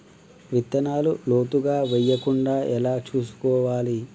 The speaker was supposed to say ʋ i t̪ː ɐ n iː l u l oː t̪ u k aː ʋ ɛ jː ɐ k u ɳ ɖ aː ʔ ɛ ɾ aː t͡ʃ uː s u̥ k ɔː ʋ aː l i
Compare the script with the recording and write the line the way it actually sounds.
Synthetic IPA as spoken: ʋ i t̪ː ɐ n aː l u l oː t̪ u ɡ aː ʋ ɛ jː ɐ k u ɳ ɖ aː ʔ ɛ l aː t͡ʃ uː s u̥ k ɔː ʋ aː l i